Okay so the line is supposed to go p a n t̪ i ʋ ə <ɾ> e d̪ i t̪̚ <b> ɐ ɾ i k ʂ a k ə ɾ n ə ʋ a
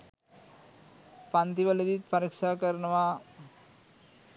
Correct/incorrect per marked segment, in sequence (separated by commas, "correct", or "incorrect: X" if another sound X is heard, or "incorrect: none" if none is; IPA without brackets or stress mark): incorrect: l, incorrect: p